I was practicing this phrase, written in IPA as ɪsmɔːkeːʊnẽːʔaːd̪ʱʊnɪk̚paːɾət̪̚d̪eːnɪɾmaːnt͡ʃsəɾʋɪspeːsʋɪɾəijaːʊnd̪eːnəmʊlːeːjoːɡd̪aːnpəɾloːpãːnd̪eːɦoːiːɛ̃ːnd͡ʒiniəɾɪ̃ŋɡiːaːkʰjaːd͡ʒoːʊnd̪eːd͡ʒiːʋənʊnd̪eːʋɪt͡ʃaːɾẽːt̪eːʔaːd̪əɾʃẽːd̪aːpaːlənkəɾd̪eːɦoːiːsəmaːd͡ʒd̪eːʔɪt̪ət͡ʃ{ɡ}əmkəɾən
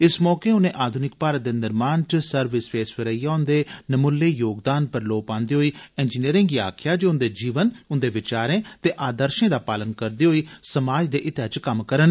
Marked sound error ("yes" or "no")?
yes